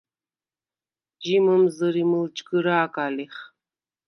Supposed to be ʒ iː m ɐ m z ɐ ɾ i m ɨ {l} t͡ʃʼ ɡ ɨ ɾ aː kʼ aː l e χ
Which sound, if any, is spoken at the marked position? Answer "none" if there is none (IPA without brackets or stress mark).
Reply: l